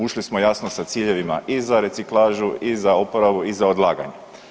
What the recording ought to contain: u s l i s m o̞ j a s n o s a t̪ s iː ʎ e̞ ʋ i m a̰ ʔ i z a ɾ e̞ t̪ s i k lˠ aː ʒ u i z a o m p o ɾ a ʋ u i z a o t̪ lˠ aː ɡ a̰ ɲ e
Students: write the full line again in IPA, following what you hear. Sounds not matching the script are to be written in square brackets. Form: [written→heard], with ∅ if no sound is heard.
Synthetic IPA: u [s→ʃ] l i s m o̞ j a s n o s a t̪ s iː ʎ e̞ ʋ i m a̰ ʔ i z a ɾ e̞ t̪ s i k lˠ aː ʒ u i z a o [m→∅] p o ɾ a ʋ u i z a o [t̪→d̪] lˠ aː ɡ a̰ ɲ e